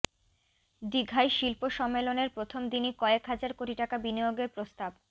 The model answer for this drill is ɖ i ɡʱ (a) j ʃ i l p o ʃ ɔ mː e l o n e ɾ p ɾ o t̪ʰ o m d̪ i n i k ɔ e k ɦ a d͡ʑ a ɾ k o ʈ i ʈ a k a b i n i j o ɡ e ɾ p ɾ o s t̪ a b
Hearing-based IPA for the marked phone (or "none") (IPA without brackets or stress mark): a